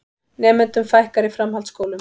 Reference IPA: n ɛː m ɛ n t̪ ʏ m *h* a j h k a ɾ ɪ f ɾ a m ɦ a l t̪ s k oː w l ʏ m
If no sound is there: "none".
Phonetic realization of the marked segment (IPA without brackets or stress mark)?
f